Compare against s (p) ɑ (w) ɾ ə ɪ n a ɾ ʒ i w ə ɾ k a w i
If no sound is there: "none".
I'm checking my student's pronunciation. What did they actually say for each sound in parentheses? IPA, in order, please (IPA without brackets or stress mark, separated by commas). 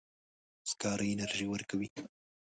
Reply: k, none